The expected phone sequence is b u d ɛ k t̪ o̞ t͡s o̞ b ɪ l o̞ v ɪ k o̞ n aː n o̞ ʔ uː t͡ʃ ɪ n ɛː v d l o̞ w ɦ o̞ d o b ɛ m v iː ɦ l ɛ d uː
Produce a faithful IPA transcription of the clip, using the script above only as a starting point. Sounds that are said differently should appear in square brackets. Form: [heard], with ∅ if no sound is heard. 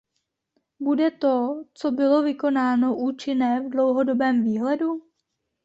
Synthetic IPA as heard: b u d ɛ [∅] t̪ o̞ t͡s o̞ b ɪ l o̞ v ɪ k o̞ n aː n o̞ ʔ uː t͡ʃ ɪ n ɛː v d l o̞ w ɦ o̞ d o b [ɛː] m v iː ɦ l ɛ d [u]